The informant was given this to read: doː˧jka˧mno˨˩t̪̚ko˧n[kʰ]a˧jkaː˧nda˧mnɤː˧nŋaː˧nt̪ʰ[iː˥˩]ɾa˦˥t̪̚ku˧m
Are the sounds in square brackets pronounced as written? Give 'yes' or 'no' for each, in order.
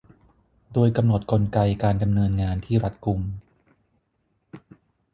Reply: no, yes

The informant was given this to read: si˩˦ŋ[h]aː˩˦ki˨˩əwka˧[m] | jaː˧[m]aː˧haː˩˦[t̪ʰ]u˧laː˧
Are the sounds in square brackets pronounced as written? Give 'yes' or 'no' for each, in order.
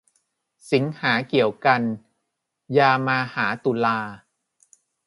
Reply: yes, no, yes, no

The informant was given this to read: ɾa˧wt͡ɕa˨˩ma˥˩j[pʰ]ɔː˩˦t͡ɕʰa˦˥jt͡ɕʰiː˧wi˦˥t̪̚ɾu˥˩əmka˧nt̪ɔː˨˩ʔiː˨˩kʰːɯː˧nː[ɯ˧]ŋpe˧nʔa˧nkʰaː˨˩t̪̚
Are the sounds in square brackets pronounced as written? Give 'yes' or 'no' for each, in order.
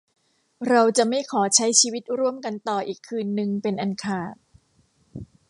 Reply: no, yes

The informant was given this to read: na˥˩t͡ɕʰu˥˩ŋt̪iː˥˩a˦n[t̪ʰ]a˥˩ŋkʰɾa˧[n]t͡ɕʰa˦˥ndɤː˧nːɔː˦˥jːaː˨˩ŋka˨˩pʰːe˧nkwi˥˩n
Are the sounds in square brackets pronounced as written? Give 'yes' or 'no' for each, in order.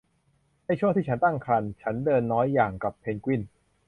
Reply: no, yes

